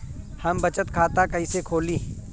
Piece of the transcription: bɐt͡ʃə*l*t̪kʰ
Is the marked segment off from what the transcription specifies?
yes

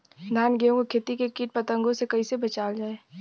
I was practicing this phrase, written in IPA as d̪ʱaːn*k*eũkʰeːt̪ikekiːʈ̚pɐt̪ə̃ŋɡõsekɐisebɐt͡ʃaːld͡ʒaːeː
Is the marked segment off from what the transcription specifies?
yes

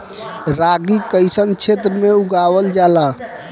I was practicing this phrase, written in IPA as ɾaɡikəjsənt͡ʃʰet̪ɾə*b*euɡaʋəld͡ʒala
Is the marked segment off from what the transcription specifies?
yes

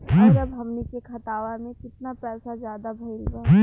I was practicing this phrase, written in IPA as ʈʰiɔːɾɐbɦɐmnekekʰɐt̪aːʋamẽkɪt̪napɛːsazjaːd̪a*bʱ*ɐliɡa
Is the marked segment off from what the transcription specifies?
no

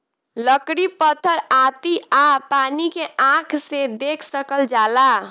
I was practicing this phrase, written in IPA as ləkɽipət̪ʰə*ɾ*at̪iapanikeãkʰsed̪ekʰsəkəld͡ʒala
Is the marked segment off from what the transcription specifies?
no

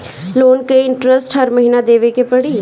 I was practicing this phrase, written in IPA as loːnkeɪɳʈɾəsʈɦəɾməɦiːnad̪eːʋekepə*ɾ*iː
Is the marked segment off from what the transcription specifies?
yes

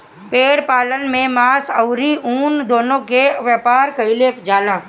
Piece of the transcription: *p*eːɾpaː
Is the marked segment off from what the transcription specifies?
no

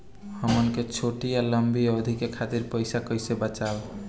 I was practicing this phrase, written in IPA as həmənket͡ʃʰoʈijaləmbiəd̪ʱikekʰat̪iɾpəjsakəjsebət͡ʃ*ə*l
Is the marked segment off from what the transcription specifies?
yes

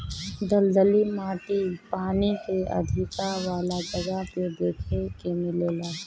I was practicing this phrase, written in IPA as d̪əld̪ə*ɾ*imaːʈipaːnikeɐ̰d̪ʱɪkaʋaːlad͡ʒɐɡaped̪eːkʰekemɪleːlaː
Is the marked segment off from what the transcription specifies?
yes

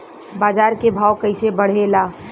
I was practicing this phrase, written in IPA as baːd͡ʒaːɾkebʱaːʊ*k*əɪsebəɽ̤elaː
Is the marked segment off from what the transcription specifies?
no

